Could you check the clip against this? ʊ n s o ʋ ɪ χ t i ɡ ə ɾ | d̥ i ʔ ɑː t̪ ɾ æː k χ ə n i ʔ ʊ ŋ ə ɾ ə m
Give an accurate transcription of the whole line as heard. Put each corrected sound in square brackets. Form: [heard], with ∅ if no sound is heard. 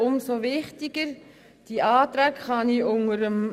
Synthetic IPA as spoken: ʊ [m] s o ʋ ɪ χ t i ɡ ə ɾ | d̥ i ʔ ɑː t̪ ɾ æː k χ [ɑ] n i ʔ ʊ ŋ ə ɾ ə m